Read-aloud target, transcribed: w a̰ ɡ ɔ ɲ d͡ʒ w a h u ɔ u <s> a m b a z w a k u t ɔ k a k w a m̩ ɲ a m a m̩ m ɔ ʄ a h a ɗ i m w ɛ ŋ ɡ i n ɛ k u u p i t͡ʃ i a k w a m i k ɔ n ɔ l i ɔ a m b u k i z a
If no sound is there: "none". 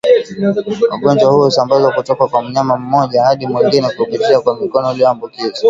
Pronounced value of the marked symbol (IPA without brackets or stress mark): s